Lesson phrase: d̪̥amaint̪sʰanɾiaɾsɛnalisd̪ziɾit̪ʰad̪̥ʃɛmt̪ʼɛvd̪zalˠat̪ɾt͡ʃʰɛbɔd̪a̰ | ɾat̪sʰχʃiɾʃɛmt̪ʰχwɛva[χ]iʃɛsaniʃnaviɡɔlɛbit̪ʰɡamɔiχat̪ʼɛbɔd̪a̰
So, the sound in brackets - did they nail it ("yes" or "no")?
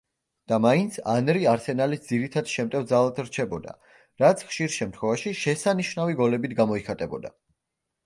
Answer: no